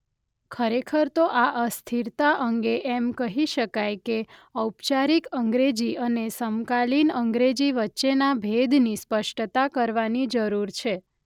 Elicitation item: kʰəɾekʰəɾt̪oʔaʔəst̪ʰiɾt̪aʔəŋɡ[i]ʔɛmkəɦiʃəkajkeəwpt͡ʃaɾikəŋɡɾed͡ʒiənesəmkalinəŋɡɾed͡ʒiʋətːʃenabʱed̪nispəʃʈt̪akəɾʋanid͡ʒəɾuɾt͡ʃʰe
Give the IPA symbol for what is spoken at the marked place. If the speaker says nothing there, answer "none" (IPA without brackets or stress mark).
e